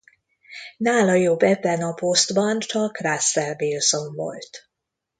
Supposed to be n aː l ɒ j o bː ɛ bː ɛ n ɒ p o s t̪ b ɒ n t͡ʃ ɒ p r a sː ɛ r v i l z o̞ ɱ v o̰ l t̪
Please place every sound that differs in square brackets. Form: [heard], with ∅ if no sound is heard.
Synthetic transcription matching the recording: n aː l ɒ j o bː ɛ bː ɛ n ɒ p o s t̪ b ɒ n t͡ʃ ɒ [k] r a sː ɛ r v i l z o̞ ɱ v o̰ l t̪